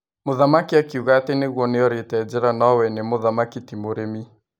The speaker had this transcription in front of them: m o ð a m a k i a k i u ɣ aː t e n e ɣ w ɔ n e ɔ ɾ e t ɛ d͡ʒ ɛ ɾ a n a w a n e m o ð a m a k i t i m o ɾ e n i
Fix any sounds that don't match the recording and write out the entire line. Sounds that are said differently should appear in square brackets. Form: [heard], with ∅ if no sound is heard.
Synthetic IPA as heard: m o ð a m a k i a k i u ɣ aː t e n e ɣ w ɔ n e ɔ ɾ e t ɛ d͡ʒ ɛ ɾ a n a w [ɛ] n e m o ð a m a k i t i m o ɾ e [m] i